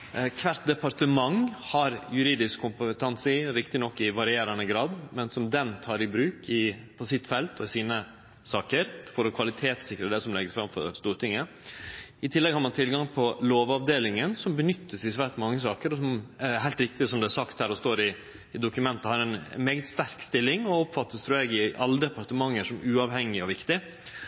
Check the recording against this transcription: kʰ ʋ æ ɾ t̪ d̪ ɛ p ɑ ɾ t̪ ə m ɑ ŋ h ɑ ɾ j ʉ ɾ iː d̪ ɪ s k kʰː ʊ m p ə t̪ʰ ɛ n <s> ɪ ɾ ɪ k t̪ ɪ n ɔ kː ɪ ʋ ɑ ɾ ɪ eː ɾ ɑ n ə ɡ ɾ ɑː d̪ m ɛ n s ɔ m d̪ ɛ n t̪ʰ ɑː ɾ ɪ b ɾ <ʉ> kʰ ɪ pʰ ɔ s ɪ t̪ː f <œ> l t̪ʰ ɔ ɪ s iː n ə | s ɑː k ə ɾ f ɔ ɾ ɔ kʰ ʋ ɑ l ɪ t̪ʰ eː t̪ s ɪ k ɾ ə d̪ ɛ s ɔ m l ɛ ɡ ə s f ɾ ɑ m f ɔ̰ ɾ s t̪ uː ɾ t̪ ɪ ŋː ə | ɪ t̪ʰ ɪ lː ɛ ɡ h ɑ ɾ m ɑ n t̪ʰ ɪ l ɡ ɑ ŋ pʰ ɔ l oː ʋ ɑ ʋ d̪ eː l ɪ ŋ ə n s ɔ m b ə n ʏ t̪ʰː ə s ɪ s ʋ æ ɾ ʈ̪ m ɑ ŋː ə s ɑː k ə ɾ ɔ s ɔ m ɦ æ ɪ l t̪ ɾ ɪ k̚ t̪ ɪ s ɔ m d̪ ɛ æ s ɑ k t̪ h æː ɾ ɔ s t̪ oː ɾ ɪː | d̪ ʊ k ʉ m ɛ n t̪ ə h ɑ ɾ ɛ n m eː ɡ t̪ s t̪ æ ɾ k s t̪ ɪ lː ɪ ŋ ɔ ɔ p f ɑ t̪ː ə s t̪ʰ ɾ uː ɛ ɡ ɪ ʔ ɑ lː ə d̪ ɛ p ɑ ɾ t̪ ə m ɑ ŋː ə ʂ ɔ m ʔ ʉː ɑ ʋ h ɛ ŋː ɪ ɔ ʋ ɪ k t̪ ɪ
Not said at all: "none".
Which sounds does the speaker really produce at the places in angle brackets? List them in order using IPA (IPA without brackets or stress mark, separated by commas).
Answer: s, ʉː, ɛ